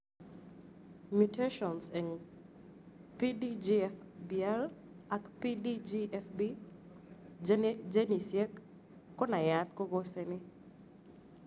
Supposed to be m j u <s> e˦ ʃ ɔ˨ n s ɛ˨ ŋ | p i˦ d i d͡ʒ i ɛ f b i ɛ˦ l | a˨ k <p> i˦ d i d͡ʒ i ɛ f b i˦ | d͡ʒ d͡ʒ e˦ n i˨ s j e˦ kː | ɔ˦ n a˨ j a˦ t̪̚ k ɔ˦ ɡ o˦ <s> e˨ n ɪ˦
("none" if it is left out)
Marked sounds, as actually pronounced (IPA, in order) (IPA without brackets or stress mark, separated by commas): t, p, s